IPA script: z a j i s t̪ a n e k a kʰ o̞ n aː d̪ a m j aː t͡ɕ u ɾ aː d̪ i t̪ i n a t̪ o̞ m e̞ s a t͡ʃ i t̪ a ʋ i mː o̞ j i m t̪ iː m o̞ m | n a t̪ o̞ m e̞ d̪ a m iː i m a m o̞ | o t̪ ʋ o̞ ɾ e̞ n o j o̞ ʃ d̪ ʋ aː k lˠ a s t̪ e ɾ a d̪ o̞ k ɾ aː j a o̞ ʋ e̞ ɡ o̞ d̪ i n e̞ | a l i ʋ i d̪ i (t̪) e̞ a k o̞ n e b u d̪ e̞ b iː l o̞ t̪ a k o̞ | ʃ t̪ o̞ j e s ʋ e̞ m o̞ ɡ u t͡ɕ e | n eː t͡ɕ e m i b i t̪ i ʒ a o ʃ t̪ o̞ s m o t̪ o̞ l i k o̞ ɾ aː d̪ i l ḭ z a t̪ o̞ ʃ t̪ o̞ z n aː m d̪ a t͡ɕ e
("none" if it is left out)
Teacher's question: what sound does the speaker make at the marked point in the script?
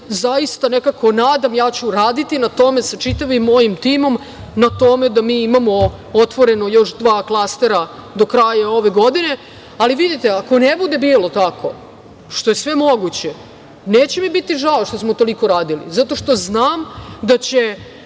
t̪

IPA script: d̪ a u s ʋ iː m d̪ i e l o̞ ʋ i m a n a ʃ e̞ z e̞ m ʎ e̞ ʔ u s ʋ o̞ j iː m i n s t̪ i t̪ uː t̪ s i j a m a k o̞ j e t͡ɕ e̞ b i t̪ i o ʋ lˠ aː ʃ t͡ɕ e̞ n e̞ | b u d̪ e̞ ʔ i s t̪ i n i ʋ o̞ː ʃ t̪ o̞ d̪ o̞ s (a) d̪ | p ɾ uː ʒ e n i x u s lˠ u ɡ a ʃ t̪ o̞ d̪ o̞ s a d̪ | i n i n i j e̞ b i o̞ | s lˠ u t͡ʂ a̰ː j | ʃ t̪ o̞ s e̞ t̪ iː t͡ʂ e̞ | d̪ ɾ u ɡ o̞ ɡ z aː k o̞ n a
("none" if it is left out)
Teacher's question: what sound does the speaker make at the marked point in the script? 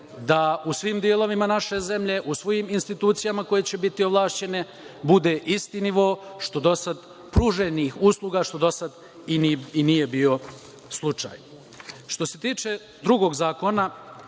a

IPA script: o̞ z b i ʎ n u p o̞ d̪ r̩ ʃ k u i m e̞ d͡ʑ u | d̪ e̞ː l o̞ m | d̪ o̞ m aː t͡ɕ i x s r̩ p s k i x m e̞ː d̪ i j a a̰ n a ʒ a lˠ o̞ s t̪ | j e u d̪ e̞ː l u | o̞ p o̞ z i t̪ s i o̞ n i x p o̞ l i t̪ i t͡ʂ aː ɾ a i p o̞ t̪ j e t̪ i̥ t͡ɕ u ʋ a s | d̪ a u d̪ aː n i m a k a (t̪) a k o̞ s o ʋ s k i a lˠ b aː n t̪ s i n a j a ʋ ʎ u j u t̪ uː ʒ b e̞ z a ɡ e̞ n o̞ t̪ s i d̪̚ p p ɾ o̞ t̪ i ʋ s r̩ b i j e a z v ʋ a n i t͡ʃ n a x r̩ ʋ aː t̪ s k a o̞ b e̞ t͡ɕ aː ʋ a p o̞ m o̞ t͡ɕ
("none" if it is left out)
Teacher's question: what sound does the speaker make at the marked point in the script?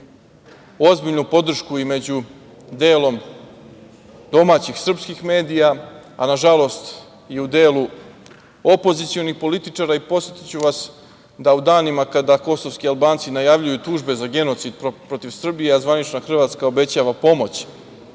d̪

